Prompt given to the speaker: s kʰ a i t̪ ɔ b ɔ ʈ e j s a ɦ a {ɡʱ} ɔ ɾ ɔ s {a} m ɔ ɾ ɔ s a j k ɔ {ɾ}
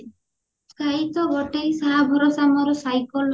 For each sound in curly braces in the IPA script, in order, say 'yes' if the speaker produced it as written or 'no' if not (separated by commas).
no, yes, no